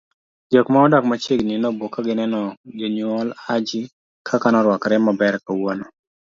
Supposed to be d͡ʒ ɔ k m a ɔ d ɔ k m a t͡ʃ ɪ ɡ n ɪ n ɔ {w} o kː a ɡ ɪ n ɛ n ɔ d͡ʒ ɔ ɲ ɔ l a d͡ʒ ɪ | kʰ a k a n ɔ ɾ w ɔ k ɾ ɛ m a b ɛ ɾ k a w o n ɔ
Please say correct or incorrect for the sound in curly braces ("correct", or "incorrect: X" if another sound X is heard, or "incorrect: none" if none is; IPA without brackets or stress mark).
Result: incorrect: b